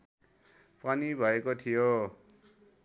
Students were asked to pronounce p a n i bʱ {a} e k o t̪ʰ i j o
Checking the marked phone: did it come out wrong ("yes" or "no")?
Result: yes